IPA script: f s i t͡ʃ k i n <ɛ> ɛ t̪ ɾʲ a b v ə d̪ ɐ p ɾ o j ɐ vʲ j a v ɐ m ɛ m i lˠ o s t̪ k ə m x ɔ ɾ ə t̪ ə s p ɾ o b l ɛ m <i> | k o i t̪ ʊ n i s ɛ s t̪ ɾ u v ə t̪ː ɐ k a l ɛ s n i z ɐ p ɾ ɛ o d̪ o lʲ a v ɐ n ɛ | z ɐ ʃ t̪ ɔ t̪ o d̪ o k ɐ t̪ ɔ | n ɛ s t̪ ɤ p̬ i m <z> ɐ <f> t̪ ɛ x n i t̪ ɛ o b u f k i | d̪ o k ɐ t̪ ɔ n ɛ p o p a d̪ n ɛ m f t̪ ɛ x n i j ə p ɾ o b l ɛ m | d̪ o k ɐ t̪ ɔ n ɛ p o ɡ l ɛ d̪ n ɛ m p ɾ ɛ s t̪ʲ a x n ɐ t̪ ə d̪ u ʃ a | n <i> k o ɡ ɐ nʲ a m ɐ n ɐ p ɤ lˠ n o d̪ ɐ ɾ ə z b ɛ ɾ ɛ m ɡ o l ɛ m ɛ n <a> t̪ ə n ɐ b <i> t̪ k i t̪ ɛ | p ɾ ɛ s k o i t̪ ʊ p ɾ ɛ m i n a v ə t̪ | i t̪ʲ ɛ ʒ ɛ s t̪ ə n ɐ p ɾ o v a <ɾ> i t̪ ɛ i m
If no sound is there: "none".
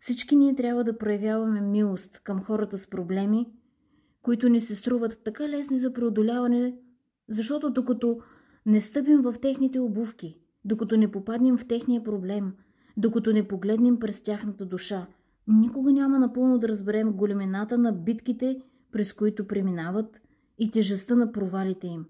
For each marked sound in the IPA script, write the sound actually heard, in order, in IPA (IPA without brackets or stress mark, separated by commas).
i, i, v, f, i, a, i, l